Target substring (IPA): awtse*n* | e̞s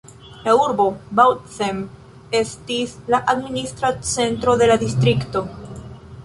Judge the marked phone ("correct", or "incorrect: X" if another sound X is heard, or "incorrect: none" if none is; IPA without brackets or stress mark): incorrect: m